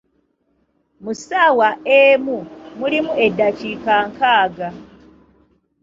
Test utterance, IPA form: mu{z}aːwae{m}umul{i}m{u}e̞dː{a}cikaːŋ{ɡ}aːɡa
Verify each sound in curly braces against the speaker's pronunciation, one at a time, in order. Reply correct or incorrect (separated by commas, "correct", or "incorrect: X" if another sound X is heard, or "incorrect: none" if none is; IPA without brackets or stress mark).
incorrect: s, correct, correct, correct, correct, incorrect: k